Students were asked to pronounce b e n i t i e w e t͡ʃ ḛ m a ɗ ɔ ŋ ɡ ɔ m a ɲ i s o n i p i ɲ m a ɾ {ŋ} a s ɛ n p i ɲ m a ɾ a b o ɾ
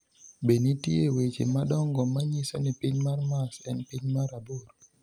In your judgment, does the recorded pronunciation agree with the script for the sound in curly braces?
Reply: no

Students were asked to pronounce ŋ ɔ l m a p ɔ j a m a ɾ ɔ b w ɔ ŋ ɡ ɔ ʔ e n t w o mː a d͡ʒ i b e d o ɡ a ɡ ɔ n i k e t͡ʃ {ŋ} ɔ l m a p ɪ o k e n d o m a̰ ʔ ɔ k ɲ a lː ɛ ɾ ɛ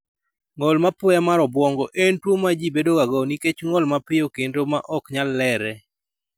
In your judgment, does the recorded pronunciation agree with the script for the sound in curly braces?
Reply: yes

